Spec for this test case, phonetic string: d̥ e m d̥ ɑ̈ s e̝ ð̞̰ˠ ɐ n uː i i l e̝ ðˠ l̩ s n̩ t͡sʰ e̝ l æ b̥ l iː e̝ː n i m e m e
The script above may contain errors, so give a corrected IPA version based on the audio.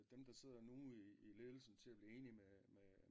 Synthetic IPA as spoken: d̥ e m d̥ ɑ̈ s e̝ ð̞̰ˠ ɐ n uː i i l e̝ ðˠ l̩ s n̩ t͡sʰ e̝ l æ b̥ l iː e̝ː n i m e m e